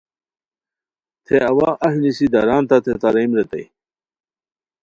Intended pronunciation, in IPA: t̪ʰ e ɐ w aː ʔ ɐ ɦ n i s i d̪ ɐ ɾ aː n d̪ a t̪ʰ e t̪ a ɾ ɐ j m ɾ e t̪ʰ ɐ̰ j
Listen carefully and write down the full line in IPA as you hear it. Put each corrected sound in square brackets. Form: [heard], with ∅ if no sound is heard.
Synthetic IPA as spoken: t̪ʰ e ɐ w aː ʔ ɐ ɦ n i s i d̪ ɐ ɾ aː n [t̪] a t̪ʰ e t̪ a ɾ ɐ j m ɾ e [t̪] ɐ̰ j